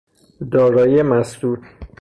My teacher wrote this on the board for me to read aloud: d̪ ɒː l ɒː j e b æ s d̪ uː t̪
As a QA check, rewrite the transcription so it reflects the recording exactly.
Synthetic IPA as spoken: d̪ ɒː ɾ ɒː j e m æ s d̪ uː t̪